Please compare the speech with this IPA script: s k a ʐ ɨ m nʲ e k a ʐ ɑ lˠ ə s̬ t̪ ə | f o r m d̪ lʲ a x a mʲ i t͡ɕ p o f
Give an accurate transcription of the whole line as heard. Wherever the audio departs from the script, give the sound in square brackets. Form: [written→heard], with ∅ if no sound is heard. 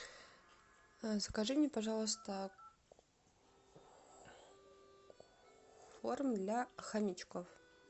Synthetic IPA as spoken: s k a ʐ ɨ m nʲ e [k→p] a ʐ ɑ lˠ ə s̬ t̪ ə | f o r m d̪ lʲ a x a mʲ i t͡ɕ [p→k] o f